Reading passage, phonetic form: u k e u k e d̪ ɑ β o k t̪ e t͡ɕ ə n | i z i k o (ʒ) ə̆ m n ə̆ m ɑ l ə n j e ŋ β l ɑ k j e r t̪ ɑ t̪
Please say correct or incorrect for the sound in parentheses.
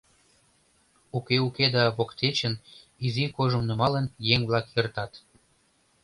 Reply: correct